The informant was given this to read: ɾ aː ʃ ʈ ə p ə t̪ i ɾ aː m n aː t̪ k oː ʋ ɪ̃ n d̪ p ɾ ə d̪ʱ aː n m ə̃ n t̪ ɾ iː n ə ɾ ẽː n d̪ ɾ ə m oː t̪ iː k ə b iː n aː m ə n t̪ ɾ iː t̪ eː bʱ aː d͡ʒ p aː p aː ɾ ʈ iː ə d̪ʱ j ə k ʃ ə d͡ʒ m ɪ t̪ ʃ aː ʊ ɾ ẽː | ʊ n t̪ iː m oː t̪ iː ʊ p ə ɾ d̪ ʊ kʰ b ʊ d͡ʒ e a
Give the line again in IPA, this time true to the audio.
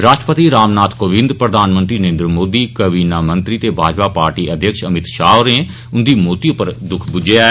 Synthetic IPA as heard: ɾ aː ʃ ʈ ə p ə t̪ i ɾ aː m n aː t̪ k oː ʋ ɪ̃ n d̪ p ɾ ə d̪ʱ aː n m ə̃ n t̪ ɾ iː n ə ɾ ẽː n d̪ ɾ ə m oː d̪ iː k ə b iː n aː m ə n t̪ ɾ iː t̪ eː bʱ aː d͡ʒ p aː p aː ɾ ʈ iː ə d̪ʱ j ə k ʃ ə m ɪ t̪ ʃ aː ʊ ɾ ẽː | ʊ n d̪ iː m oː t̪ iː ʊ p ə ɾ d̪ ʊ kʰ b ʊ d͡ʒ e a